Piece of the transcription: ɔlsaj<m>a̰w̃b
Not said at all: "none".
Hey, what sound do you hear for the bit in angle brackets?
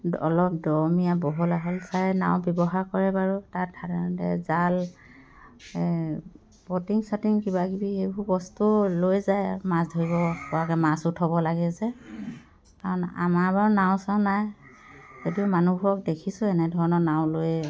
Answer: n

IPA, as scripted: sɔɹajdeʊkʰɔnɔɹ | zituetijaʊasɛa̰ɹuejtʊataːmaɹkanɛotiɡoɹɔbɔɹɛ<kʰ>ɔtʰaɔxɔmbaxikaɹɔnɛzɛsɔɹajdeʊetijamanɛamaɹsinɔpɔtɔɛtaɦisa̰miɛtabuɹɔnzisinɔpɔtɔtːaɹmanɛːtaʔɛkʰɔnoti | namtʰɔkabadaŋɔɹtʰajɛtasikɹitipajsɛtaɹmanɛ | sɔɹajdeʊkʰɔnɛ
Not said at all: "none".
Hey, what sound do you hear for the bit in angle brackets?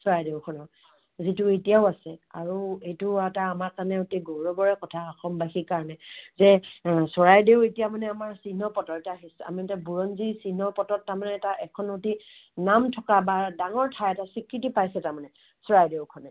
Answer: k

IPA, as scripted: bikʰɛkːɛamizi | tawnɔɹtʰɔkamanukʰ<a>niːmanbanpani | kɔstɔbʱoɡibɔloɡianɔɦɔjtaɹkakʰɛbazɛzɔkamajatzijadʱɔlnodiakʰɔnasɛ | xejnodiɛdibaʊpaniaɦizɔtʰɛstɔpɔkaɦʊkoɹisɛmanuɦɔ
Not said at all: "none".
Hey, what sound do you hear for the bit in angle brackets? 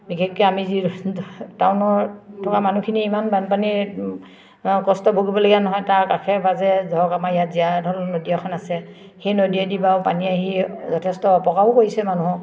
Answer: i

